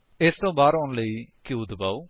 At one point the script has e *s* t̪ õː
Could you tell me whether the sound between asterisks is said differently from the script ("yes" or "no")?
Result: no